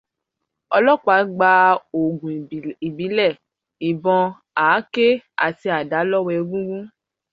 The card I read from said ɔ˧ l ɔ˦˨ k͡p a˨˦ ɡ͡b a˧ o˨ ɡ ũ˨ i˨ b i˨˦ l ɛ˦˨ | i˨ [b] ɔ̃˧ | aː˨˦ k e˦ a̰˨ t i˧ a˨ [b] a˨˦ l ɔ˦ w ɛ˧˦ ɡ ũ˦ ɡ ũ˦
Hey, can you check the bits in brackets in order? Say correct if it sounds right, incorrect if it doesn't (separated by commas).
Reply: correct, incorrect